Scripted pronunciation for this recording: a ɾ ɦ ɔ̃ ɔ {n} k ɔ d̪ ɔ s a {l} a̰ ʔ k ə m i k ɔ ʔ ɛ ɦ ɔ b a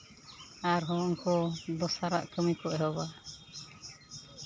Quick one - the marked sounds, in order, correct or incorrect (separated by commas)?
incorrect, incorrect